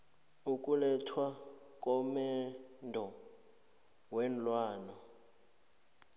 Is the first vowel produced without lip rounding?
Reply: no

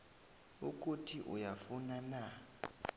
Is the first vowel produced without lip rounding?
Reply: no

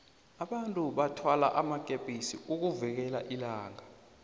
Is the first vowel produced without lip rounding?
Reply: yes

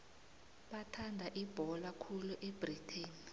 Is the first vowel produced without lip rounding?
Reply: yes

